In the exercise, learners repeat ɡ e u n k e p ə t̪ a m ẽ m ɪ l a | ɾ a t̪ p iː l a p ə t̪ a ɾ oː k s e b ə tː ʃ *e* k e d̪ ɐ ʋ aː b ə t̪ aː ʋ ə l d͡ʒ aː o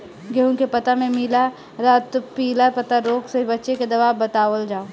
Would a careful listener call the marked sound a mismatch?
no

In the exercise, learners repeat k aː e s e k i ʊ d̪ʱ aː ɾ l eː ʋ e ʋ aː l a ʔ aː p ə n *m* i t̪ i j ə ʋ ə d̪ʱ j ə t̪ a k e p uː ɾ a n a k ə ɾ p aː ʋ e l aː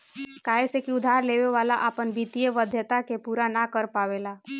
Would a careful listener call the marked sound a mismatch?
yes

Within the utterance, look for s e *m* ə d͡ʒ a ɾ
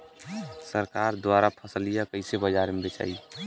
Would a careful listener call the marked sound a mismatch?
yes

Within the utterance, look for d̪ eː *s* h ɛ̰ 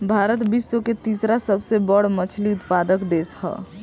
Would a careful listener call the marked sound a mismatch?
no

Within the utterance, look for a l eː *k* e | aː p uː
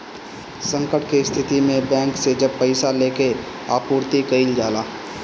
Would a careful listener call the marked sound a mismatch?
no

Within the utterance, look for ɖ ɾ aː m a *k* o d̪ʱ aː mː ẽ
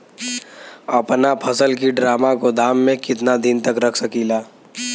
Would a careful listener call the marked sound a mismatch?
no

